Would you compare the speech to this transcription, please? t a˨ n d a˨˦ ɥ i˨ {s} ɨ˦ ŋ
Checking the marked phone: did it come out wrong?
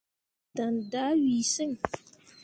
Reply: no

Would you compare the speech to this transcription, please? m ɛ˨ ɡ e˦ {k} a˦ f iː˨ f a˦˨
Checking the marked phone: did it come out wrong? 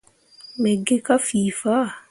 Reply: no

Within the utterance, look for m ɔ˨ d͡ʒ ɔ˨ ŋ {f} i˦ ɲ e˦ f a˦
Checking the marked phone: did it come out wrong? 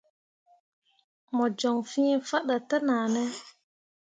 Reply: no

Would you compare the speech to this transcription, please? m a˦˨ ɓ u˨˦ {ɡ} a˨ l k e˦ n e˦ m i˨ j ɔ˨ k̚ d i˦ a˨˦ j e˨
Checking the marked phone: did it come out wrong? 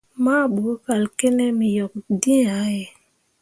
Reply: yes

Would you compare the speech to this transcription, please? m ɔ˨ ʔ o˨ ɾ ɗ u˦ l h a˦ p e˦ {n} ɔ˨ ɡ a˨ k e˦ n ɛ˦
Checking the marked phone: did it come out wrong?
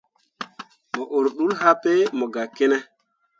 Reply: yes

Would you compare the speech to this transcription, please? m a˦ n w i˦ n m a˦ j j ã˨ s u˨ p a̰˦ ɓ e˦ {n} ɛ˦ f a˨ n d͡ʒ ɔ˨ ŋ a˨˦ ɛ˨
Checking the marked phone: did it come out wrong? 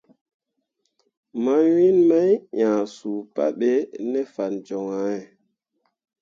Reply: no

